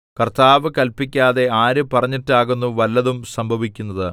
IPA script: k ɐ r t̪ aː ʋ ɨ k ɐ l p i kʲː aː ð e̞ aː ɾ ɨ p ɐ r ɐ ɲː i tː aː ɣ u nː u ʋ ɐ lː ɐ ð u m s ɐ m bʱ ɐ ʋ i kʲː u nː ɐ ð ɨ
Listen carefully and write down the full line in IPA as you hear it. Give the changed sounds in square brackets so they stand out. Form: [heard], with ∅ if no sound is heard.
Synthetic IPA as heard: k ɐ r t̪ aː ʋ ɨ k ɐ l p i kʲː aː ð e̞ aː ɾ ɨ p ɐ r ɐ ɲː i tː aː ɣ u nː u ʋ ɐ lː ɐ ð u m s ɐ m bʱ ɐ ʋ i kʲː u nː ɐ ð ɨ